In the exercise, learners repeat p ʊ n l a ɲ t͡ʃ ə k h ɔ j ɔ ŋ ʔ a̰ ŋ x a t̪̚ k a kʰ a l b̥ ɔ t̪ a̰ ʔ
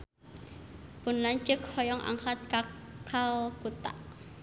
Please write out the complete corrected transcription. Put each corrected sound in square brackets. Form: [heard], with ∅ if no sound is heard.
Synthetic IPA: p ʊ n l a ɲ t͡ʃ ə k h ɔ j ɔ ŋ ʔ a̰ ŋ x a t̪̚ k a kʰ a l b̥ [u] t̪ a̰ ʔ